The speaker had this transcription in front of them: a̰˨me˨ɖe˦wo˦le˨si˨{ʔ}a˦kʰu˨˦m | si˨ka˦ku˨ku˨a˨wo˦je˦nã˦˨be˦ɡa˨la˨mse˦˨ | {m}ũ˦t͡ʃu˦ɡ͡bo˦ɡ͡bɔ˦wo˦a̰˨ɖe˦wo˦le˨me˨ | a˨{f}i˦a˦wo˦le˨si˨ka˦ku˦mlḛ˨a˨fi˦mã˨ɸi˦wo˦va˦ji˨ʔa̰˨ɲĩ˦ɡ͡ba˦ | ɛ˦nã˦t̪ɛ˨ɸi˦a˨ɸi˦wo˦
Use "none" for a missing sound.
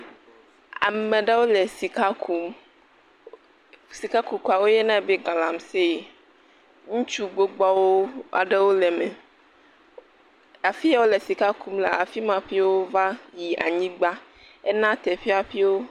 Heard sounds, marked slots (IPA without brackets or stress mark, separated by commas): k, ŋ, f